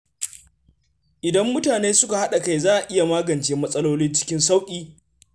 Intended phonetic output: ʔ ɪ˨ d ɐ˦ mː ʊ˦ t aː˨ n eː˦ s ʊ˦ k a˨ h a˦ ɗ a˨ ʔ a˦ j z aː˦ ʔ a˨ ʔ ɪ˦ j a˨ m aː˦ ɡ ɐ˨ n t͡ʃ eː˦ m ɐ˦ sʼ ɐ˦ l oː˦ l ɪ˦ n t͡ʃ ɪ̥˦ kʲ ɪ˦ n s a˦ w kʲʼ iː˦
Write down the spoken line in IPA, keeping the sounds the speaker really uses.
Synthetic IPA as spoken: ʔ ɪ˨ d ɐ˦ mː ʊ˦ t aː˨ n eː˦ s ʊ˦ k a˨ h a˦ ɗ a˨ k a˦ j z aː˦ ʔ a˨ ʔ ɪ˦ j a˨ m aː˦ ɡ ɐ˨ n t͡ʃ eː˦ m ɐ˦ sʼ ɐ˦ l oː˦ l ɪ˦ n t͡ʃ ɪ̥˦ kʲ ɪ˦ n s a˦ w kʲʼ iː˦